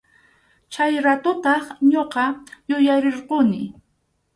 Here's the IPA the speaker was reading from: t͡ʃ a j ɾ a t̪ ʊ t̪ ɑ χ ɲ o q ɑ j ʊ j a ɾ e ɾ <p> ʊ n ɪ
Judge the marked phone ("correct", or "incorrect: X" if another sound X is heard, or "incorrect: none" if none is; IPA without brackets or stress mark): incorrect: q